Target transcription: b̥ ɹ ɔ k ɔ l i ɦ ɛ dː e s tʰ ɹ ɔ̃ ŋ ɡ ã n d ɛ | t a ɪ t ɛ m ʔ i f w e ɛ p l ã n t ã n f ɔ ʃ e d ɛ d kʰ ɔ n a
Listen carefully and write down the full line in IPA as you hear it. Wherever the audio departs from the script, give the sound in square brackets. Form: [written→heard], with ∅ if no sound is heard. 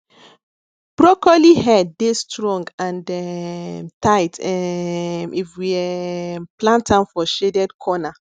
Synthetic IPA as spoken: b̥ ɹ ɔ k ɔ l i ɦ ɛ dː e s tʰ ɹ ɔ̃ ŋ ɡ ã n d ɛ | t a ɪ t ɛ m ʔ i f w [e→i] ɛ p l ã n t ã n f ɔ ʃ e d ɛ d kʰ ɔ n a